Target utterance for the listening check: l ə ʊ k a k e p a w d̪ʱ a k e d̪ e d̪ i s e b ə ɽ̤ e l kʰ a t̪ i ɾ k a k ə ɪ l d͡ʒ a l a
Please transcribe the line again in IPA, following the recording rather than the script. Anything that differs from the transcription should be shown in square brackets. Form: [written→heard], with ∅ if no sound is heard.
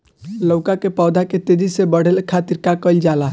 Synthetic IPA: l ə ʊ k a k e p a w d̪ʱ a k e [d̪→t̪] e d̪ i s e b ə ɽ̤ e l kʰ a t̪ i ɾ k a k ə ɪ l d͡ʒ a l a